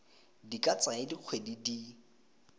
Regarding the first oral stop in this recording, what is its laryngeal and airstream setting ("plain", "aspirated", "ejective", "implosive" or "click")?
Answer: plain